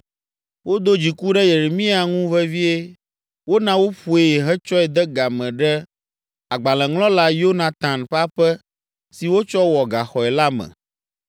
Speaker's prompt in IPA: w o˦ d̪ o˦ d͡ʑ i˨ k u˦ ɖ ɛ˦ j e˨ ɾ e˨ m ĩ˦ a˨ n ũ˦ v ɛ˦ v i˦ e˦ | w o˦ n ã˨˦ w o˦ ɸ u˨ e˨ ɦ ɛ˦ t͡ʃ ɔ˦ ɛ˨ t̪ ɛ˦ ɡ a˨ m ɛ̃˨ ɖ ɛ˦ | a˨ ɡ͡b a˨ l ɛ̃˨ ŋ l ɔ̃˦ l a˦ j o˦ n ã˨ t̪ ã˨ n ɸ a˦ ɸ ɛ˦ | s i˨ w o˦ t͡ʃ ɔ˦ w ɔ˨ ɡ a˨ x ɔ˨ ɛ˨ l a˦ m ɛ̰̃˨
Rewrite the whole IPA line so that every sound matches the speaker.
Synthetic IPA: w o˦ d̪ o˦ d͡ʑ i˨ k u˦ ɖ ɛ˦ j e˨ ɾ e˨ m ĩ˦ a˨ ŋ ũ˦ v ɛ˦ v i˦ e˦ | w o˦ n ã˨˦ w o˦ ɸ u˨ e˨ ɦ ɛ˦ t͡ʃ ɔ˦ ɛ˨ d̪ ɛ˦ ɡ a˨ m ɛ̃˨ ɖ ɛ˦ | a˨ ɡ͡b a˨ l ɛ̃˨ ŋ l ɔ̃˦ l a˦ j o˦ n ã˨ t̪ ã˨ n ɸ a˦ ɸ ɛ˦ | s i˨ w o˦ t͡ʃ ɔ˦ w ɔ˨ ɡ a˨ x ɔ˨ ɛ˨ l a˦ m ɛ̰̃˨